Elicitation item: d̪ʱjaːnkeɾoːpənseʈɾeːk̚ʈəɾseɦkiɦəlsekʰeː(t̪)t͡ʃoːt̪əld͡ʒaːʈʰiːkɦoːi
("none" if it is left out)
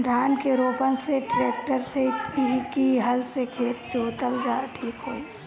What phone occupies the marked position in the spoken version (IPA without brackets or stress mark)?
t̪